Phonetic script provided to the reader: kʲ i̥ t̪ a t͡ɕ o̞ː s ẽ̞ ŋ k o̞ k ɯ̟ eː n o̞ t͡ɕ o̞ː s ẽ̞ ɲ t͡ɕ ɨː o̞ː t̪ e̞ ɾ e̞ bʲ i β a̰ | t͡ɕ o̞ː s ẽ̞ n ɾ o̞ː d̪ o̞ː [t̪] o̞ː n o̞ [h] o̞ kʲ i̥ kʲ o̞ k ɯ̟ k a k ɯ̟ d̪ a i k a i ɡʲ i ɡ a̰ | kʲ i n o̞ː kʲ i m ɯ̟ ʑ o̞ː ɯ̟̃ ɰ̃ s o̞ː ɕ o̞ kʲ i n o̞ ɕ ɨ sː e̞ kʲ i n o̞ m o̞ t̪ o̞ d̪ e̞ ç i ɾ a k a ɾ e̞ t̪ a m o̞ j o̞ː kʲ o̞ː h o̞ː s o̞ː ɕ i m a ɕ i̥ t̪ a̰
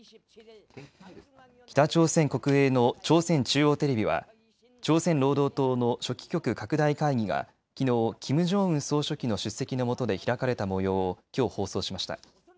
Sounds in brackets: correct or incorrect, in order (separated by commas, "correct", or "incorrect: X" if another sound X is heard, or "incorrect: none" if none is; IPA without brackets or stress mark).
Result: correct, incorrect: ɕ